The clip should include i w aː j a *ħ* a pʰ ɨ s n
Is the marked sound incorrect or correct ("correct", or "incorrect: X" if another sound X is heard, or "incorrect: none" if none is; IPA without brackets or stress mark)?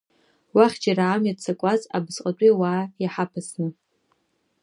correct